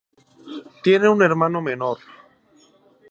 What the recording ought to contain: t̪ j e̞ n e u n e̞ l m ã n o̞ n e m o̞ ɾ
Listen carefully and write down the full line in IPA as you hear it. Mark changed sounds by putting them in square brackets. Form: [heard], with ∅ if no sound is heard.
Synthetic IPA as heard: t̪ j e̞ n e u n e̞ [ɾ] m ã n o̞ [m] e [n] o̞ ɾ